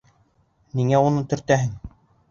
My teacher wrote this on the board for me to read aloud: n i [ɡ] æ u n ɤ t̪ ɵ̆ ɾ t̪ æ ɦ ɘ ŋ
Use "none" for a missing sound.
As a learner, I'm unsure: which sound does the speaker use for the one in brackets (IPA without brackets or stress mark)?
ŋ